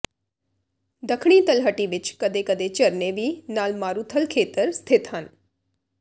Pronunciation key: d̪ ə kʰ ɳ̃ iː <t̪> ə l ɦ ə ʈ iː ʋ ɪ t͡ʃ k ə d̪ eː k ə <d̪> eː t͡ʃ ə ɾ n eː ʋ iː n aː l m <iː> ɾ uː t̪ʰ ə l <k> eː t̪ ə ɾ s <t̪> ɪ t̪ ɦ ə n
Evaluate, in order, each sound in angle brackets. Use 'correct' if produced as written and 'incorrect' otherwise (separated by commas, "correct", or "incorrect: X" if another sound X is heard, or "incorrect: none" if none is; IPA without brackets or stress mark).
correct, correct, incorrect: aː, incorrect: kʰ, incorrect: t̪ʰ